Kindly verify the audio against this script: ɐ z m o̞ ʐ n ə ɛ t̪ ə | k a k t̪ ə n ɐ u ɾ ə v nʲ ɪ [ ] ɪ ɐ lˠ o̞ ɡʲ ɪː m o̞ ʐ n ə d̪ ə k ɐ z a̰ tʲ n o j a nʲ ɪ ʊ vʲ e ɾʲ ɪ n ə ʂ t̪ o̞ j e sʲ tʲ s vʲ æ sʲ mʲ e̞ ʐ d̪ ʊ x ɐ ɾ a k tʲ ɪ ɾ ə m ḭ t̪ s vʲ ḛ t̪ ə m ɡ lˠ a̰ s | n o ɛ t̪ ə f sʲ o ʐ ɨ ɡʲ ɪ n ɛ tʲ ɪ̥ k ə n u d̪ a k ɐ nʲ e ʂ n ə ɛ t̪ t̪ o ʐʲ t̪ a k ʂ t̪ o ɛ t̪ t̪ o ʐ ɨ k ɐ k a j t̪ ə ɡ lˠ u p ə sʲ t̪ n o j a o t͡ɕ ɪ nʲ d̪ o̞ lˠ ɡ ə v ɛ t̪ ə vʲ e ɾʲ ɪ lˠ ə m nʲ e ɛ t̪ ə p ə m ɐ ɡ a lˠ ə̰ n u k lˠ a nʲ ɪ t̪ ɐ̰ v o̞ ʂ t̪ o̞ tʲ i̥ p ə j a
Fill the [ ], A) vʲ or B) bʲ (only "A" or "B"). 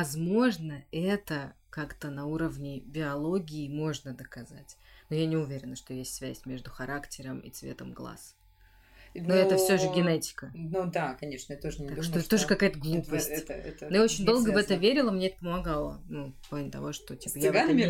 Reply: B